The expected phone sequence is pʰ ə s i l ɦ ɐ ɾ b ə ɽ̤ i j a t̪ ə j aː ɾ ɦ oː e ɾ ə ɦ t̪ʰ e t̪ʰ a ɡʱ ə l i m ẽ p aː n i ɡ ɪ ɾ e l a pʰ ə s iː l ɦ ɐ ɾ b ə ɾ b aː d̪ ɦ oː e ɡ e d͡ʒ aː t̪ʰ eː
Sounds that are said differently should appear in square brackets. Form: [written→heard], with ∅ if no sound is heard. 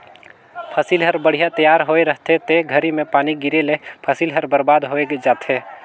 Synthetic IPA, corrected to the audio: pʰ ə s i l ɦ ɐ ɾ b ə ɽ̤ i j a t̪ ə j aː ɾ ɦ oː e ɾ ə ɦ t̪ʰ e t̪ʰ [a→e] ɡʱ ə [l→ɾ] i m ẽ p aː n i ɡ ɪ ɾ e l [a→e] pʰ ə s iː l ɦ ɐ ɾ b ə ɾ b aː d̪ ɦ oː e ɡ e d͡ʒ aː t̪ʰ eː